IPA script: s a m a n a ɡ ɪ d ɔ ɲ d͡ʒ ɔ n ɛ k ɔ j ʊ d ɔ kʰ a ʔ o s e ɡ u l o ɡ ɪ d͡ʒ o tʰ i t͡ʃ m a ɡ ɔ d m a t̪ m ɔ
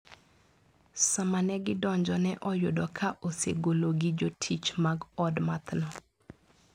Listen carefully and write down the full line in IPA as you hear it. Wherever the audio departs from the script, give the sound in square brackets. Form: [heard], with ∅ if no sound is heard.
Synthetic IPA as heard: s a m a n [ɛ] ɡ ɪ d ɔ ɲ d͡ʒ ɔ n ɛ [ʔ] ɔ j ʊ d ɔ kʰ a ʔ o s e ɡ [o] l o ɡ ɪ d͡ʒ o tʰ i t͡ʃ m a ɡ ɔ d m a t̪ [n] ɔ